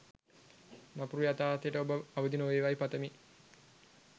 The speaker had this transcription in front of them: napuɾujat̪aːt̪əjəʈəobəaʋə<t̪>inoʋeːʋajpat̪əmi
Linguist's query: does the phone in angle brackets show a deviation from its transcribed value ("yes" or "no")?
yes